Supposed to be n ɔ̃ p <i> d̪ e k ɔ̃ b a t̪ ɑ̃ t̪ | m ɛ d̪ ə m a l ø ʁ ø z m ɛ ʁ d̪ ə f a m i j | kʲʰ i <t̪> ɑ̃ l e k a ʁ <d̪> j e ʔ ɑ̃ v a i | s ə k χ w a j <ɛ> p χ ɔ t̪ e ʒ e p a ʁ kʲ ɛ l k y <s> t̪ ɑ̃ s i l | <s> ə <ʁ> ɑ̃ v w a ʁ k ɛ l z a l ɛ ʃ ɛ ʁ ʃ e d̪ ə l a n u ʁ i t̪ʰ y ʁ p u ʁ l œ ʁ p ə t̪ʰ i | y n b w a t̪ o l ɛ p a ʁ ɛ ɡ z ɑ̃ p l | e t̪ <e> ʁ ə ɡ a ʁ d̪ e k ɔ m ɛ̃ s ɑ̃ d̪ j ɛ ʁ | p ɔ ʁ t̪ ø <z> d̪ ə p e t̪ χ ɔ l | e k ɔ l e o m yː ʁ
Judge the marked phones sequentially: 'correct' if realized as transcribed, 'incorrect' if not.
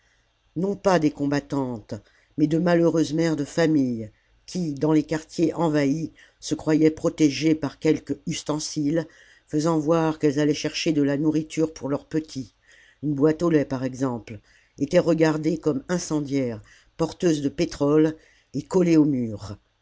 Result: incorrect, incorrect, incorrect, correct, correct, incorrect, incorrect, incorrect, correct

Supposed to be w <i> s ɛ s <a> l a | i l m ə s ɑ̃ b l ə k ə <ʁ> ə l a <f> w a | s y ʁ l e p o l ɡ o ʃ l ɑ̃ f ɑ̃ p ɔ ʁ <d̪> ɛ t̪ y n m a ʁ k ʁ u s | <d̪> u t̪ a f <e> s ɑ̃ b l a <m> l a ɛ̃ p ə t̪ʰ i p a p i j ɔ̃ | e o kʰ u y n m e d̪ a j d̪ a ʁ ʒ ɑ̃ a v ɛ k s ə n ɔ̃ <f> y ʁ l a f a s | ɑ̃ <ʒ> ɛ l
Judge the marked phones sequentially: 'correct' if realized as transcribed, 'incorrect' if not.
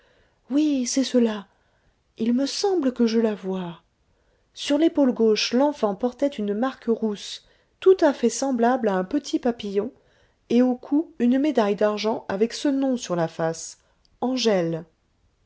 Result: correct, incorrect, incorrect, incorrect, incorrect, incorrect, incorrect, incorrect, incorrect, correct

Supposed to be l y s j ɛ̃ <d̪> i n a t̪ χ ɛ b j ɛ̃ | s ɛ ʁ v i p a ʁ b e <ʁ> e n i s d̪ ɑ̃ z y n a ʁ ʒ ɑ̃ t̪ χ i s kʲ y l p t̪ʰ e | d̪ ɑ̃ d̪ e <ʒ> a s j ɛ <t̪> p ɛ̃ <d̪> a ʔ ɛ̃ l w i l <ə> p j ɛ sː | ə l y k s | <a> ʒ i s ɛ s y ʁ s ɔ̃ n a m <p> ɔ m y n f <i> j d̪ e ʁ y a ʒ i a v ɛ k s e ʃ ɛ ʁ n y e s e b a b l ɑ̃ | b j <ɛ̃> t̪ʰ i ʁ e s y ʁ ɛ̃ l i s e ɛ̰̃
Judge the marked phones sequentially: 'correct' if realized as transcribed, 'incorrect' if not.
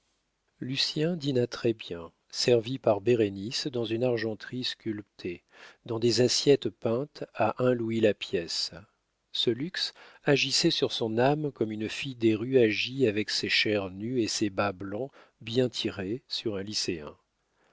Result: correct, correct, incorrect, correct, incorrect, incorrect, correct, incorrect, correct, correct

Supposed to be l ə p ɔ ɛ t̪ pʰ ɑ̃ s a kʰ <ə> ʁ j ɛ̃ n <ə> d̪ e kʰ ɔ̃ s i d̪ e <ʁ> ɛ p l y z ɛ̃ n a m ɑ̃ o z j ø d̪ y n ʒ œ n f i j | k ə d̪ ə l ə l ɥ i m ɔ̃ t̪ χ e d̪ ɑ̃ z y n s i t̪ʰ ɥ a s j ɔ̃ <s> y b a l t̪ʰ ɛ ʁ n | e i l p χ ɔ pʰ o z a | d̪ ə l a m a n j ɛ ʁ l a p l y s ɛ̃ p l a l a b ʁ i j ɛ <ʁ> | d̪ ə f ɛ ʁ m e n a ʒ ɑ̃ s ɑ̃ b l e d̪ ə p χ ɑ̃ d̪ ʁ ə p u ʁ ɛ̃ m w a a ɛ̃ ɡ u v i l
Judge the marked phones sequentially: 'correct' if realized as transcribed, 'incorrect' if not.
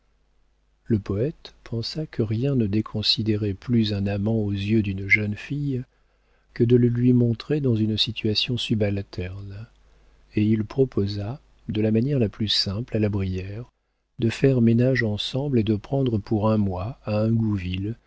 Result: correct, correct, correct, correct, correct

